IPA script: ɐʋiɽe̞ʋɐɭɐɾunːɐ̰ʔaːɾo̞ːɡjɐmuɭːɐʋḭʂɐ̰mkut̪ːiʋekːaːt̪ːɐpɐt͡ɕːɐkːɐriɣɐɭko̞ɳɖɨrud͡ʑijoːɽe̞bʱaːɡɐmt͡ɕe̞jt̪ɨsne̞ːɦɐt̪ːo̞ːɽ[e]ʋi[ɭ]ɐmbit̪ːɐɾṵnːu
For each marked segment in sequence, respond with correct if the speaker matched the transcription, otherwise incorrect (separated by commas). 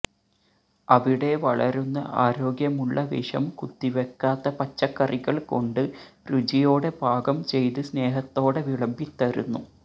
correct, correct